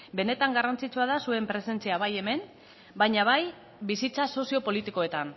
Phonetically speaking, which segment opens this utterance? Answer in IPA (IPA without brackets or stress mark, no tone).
b